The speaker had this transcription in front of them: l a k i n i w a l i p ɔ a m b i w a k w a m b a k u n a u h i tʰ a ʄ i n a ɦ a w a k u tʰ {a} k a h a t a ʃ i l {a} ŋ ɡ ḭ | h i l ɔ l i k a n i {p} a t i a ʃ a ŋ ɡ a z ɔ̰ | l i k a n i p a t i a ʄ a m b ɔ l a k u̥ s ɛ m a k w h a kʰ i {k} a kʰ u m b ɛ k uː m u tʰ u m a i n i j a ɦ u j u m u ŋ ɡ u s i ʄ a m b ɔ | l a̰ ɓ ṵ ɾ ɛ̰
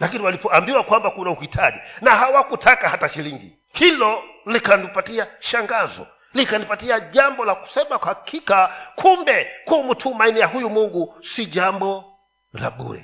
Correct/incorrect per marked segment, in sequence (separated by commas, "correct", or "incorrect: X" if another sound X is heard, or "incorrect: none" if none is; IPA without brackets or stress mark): correct, incorrect: i, correct, correct